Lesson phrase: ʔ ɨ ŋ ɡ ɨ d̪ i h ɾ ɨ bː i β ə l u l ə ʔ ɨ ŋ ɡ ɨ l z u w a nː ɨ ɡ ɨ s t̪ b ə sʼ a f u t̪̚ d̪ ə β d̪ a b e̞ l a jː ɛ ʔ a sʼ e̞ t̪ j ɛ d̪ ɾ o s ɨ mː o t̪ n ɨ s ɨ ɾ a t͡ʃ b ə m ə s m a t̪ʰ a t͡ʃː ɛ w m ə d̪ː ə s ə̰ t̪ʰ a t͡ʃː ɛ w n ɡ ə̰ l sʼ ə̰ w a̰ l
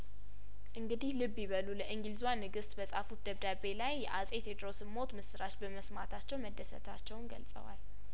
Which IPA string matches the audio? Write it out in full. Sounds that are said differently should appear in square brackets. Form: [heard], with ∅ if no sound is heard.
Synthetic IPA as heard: ʔ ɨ ŋ ɡ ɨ d̪ i h [l] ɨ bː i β ə l u l ə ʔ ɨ ŋ ɡ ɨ l z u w a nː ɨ ɡ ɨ s t̪ b ə sʼ a f u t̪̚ d̪ ə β d̪ a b e̞ l a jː ɛ ʔ a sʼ e̞ t̪ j ɛ d̪ ɾ o s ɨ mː o t̪ [m] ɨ s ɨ ɾ a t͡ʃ b ə m ə s m a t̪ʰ a t͡ʃː ɛ w m ə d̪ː ə s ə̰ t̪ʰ a t͡ʃː ɛ w n ɡ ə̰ l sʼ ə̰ w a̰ l